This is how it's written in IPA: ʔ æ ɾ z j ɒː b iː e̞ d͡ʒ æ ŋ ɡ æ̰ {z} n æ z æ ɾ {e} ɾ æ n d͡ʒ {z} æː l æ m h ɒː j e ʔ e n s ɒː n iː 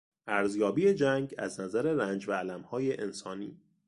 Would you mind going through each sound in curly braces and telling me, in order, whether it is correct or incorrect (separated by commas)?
correct, correct, incorrect